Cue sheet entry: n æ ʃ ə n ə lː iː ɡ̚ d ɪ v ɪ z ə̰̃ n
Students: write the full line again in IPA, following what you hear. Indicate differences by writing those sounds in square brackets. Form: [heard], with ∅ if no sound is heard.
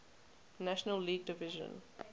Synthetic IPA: n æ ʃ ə n ə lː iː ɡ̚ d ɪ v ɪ [ʒ] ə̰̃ n